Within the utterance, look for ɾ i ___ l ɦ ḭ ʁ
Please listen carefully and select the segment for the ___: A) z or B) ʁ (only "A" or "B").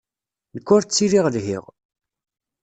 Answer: B